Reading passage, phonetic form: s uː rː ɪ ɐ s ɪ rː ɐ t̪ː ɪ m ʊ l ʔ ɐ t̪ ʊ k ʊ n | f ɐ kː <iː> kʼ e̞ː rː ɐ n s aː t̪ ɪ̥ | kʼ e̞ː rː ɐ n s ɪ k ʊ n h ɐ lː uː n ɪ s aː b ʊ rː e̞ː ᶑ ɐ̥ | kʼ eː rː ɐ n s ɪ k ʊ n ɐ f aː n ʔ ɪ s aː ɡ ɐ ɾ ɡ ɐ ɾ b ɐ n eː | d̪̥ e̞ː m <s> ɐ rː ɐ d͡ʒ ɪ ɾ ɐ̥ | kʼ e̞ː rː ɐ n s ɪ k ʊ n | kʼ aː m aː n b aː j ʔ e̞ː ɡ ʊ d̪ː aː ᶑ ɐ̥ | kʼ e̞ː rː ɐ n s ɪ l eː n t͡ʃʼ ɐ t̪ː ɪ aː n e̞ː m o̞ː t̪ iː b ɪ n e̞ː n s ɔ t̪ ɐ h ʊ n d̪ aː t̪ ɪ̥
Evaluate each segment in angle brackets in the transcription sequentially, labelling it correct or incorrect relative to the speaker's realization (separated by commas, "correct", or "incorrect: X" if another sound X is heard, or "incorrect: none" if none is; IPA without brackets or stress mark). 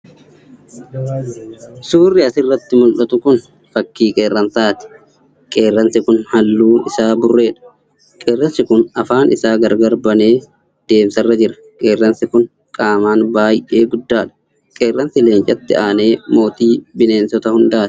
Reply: correct, correct